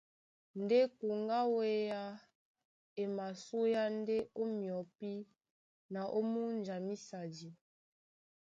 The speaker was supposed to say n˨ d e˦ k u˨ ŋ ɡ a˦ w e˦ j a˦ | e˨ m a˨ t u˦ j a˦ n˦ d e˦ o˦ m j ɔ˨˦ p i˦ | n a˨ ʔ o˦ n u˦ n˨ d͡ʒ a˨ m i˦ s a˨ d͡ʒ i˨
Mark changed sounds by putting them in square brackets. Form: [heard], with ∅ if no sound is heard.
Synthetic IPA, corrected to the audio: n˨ d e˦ k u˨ ŋ ɡ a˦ w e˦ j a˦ | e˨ m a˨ [s] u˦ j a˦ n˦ d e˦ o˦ m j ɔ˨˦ p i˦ | n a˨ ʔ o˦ [m] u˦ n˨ d͡ʒ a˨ m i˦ s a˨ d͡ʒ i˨